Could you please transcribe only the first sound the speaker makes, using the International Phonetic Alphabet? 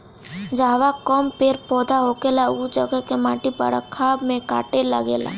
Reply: d͡ʒ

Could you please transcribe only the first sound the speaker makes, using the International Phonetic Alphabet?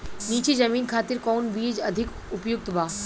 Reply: n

